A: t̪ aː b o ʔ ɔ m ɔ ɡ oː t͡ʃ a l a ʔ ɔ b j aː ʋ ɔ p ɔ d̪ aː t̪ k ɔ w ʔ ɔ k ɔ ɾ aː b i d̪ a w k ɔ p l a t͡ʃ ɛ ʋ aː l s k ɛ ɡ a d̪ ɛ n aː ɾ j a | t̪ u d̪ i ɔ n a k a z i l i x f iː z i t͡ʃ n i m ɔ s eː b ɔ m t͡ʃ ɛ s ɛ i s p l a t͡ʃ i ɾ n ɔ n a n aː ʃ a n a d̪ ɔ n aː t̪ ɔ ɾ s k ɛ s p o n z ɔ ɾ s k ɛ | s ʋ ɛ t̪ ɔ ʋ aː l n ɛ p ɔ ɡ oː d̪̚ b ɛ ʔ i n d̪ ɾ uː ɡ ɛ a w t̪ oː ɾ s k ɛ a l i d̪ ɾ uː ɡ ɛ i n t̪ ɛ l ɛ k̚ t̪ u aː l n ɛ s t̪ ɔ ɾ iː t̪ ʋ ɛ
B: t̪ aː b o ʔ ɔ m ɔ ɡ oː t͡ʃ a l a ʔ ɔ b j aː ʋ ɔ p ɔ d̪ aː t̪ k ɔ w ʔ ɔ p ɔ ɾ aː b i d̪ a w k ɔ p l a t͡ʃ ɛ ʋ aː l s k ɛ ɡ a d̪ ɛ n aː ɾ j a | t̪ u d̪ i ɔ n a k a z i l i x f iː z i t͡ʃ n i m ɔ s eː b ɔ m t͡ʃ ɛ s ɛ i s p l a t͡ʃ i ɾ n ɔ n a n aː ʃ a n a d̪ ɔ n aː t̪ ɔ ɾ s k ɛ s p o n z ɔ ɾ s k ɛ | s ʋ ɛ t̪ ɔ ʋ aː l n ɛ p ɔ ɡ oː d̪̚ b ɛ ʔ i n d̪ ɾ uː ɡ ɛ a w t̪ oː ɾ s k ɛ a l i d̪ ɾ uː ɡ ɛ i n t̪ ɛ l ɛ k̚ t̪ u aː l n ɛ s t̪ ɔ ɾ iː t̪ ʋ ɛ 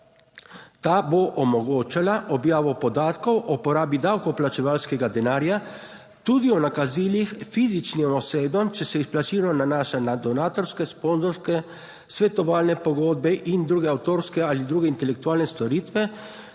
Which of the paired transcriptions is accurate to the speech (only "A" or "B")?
B